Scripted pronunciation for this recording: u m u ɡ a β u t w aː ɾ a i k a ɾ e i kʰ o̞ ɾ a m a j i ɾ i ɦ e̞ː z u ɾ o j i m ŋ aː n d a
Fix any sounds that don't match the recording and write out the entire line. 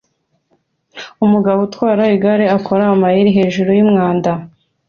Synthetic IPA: u m u ɡ a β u t w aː ɾ a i ɡ a ɾ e a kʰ o̞ ɾ a m a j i ɾ i ɦ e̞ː ʒ u ɾ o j i m ŋ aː n d a